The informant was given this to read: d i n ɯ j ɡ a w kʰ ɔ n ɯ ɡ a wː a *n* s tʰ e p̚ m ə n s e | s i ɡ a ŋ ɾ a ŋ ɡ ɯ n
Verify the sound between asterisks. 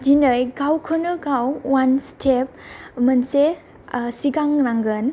correct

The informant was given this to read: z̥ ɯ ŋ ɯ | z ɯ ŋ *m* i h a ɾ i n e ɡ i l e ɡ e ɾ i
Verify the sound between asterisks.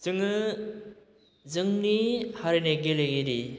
incorrect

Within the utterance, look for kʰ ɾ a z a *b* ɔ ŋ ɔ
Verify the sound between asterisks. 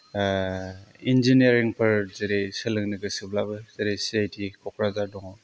incorrect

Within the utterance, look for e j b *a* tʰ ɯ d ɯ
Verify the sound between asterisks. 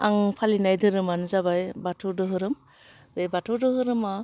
correct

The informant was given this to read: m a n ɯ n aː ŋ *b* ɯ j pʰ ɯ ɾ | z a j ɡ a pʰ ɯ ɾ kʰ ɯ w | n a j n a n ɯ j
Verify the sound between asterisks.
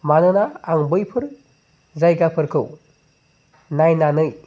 correct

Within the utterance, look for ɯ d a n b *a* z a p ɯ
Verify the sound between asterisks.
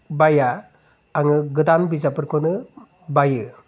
incorrect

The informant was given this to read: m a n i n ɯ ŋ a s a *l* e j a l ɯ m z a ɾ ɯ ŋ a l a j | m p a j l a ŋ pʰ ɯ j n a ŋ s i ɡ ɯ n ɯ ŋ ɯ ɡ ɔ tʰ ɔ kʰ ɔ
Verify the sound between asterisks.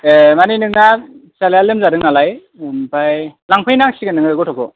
correct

